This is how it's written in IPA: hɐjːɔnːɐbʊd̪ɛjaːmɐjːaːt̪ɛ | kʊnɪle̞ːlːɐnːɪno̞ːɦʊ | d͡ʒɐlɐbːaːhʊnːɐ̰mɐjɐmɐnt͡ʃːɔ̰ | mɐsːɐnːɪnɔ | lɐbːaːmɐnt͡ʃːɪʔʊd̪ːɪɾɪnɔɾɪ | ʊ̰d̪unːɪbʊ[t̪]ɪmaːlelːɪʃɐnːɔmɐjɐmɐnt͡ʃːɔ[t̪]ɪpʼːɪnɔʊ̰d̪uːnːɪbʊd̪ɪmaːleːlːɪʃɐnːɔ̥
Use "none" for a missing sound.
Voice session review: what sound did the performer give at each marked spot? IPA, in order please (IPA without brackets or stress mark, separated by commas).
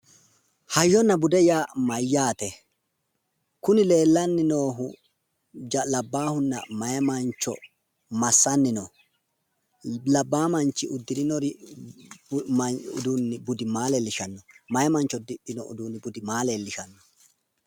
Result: d̪, d̪